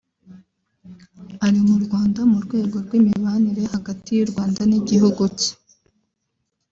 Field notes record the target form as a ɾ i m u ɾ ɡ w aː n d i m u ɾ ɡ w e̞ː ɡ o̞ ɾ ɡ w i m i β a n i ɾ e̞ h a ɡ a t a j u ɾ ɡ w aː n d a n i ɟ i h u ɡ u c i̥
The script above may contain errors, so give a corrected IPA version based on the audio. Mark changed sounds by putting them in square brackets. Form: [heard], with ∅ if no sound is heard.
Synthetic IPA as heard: a ɾ i m u ɾ ɡ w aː n d [a] m u ɾ ɡ w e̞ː ɡ o̞ ɾ ɡ w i m i β a n i ɾ e̞ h a ɡ a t [i] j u ɾ ɡ w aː n d a n i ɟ i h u ɡ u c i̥